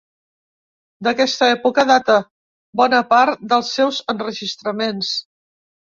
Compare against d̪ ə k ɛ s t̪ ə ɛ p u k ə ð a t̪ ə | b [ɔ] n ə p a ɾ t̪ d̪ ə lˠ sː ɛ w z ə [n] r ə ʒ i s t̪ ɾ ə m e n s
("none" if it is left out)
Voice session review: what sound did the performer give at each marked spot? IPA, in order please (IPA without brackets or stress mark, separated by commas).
ɔ, n